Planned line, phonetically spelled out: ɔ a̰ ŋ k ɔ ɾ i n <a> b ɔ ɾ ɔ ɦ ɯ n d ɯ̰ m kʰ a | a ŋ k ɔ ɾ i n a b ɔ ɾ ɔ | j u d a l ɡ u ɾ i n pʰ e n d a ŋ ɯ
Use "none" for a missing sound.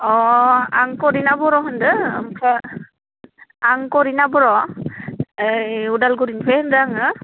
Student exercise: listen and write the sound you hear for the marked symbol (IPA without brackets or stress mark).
a